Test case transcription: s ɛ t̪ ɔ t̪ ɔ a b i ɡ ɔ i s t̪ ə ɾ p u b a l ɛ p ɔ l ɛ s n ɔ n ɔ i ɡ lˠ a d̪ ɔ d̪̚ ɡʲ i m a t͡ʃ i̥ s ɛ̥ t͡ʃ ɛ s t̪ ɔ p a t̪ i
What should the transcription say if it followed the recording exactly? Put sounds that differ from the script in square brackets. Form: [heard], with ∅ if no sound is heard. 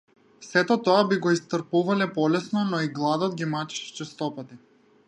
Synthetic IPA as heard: s ɛ t̪ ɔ t̪ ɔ a b i ɡ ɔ i s t̪ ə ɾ p u [v] a l ɛ p ɔ l ɛ s n ɔ n ɔ i ɡ lˠ a d̪ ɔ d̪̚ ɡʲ i m a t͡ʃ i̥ [ʃ] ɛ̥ t͡ʃ ɛ s t̪ ɔ p a t̪ i